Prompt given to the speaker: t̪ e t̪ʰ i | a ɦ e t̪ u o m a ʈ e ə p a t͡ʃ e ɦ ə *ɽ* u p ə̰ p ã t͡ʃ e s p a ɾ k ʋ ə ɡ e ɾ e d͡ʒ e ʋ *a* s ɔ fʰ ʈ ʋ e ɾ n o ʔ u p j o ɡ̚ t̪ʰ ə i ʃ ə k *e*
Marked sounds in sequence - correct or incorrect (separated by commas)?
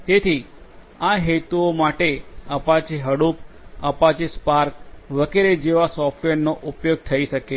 correct, correct, correct